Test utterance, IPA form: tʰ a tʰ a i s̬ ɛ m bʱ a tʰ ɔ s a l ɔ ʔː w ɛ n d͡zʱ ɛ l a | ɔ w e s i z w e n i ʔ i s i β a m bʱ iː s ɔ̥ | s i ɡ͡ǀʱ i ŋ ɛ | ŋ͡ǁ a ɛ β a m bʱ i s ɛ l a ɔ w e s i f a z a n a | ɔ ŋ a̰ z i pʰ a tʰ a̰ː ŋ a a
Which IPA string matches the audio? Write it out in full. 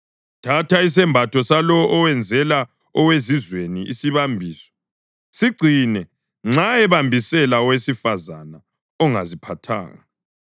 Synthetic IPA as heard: tʰ a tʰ a i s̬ ɛ m bʱ a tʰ ɔ s a l ɔ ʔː w ɛ n d͡zʱ ɛ l a | ɔ w e z i z w e n i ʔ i s i β a m bʱ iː s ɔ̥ | s i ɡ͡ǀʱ i n ɛ | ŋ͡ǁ a ɛ β a m bʱ i s ɛ l a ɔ w e s i f a z a n a | ɔ ŋ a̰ z i pʰ a tʰ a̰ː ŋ a a